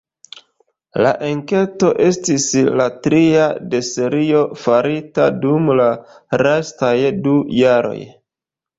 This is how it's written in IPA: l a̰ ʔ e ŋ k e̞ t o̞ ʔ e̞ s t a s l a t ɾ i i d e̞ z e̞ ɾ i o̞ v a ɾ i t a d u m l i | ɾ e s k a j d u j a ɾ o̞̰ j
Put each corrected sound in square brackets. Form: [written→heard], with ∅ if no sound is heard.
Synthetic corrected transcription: l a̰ ʔ e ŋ k e̞ t o̞ ʔ e̞ s t [a→i] s l a t ɾ i [i→a] d e̞ [z→s] e̞ ɾ i o̞ [v→f] a ɾ i t a d u m l [i→a] | ɾ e s [k→t] a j d u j a ɾ o̞̰ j